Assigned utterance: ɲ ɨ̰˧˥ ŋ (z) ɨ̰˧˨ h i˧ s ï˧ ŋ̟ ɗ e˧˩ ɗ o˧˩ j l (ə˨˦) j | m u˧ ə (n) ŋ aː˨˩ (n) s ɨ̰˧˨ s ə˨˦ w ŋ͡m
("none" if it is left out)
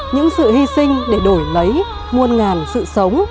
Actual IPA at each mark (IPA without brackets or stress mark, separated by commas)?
s, ə˨˦, n, n